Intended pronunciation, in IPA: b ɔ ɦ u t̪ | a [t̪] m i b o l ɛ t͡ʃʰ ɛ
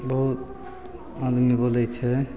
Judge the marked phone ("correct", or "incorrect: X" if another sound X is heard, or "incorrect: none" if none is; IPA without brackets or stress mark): incorrect: d̪